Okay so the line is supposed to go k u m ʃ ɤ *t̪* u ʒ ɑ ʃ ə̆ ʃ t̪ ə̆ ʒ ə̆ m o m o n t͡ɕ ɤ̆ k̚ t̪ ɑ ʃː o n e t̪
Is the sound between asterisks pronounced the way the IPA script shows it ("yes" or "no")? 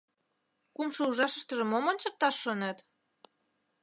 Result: no